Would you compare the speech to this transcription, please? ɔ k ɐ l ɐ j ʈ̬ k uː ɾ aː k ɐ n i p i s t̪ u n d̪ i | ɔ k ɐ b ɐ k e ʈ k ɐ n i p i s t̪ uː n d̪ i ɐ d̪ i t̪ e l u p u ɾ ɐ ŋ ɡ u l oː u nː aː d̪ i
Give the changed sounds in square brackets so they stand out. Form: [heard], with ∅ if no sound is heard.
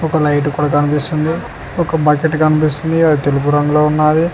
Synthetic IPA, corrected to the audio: ɔ k ɐ l ɐ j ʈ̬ k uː [ɽ] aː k ɐ n i p i s t̪ u n d̪ i | ɔ k ɐ b ɐ k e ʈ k ɐ n i p i s t̪ [u] n d̪ i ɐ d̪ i t̪ e l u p u ɾ ɐ ŋ ɡ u l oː u nː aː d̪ i